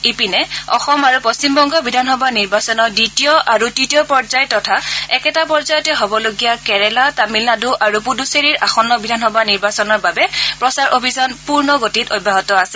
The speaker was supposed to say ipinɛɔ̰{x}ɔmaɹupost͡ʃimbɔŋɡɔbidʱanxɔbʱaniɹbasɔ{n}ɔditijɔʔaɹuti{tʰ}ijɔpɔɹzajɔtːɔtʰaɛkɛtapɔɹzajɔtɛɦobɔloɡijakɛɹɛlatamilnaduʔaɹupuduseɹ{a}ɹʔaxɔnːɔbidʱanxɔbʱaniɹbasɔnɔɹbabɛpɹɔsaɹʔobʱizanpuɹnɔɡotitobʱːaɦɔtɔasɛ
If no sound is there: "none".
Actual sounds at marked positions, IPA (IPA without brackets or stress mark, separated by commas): x, n, t, i